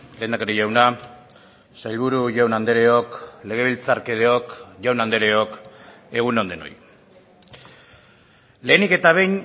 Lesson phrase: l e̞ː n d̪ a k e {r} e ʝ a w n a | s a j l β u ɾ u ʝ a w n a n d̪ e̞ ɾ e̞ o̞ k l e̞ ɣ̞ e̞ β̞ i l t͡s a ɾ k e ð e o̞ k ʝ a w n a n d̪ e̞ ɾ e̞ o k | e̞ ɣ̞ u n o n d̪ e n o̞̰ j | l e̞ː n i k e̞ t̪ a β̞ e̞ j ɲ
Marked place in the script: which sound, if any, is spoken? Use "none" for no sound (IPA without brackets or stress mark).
ɾ